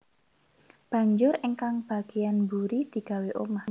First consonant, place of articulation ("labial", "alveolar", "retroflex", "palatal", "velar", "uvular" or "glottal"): labial